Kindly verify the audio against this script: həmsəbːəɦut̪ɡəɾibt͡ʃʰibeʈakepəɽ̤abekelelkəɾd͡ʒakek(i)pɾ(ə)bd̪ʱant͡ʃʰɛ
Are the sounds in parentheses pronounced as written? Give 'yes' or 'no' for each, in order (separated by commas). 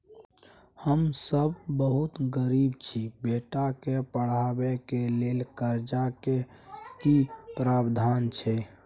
yes, no